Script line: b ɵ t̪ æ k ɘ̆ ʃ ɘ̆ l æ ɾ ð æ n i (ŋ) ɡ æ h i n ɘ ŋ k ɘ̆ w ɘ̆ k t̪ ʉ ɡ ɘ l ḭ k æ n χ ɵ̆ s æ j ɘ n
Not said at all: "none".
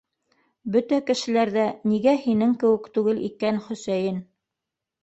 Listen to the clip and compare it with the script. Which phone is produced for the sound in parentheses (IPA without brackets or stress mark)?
none